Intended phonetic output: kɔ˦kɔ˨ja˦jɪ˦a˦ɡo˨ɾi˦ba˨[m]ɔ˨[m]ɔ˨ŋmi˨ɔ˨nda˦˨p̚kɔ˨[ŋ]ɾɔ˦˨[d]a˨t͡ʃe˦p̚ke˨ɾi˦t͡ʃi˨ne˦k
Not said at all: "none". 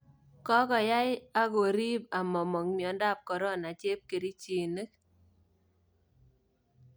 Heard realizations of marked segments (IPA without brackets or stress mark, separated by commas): m, m, none, n